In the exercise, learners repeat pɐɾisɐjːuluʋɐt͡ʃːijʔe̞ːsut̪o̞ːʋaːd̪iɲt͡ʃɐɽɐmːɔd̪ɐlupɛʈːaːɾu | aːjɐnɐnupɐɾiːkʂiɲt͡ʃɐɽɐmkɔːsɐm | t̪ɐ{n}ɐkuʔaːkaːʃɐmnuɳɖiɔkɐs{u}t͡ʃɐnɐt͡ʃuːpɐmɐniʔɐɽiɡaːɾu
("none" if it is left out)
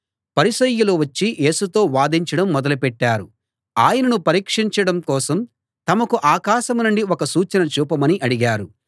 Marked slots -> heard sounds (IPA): m, uː

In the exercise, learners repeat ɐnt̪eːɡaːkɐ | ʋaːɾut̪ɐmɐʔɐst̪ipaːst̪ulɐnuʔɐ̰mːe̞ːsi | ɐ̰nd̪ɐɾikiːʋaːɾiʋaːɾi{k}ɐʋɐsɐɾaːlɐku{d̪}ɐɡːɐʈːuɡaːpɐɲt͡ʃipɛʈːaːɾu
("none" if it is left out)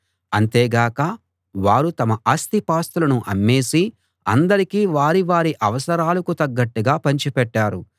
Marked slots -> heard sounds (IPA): ʔ, t̪

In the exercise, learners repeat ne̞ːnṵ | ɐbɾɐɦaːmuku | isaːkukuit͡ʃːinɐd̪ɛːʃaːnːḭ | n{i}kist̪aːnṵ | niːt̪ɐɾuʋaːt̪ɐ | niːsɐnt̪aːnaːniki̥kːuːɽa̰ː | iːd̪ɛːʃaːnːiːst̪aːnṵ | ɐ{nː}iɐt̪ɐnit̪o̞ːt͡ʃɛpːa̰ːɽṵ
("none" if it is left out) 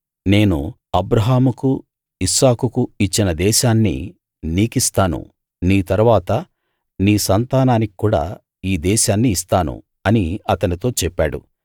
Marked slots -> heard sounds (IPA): iː, n

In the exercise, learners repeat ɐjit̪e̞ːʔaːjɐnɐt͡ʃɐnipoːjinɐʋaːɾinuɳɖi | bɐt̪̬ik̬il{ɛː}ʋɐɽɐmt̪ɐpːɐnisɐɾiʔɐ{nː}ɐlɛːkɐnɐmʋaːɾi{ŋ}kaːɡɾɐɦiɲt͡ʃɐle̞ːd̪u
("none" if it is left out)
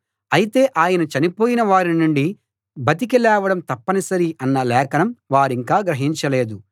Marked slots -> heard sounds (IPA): ɛː, nː, ŋ

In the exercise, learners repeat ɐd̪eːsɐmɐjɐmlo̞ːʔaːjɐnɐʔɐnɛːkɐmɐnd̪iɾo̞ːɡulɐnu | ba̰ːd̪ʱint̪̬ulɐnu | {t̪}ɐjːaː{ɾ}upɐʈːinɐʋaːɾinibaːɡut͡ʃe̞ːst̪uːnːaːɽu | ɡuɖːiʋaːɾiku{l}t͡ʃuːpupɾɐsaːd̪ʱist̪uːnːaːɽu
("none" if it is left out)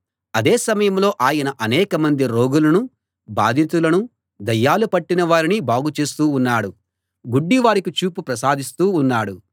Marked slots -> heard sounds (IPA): d̪, l, none

